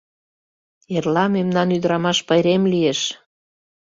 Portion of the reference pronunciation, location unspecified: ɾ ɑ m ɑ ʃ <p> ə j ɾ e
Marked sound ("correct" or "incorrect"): correct